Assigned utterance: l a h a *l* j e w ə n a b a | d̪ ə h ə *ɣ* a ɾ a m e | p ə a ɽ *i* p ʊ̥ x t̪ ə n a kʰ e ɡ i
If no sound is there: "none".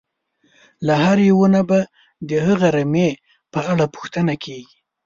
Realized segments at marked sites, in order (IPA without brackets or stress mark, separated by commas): ɾ, ɣ, a